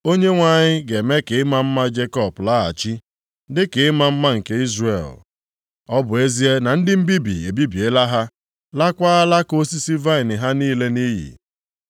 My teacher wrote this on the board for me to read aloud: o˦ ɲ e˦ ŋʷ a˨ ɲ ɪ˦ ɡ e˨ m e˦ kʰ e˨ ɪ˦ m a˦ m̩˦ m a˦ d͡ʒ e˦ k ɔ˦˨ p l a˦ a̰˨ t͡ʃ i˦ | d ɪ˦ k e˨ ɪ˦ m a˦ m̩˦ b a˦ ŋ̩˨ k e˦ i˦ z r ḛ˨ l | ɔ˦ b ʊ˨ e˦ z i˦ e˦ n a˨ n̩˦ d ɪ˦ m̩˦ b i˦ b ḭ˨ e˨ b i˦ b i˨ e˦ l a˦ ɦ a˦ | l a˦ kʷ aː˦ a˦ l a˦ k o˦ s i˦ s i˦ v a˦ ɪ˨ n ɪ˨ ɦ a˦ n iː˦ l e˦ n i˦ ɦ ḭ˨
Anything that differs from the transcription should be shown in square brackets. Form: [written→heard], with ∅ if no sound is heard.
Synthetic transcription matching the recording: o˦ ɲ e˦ ŋʷ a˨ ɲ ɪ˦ ɡ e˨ m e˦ [kʰ→k] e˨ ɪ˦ m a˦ m̩˦ m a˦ d͡ʒ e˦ k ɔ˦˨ p l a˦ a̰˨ t͡ʃ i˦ | d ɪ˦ k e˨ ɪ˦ m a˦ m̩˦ [b→m] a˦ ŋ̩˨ k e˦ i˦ z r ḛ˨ l | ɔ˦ b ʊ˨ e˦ z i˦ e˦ n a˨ n̩˦ d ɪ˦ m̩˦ b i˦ b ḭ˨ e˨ b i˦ b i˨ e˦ l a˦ ɦ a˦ | l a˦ kʷ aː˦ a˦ l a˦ k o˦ s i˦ s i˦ v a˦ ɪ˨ n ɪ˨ ɦ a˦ n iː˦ l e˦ n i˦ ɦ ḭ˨